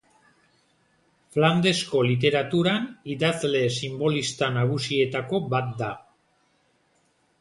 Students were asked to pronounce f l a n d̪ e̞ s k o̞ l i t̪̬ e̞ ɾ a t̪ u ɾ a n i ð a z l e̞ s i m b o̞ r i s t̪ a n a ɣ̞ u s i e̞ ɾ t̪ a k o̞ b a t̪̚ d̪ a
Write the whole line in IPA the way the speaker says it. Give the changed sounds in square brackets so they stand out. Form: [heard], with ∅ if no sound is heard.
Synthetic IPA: f l a n d̪ e̞ s k o̞ l i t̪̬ e̞ ɾ a t̪ u ɾ a n i ð a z l e̞ s i m b o̞ [l] i s t̪ a n a ɣ̞ u s i e̞ [∅] t̪ a k o̞ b a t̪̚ d̪ a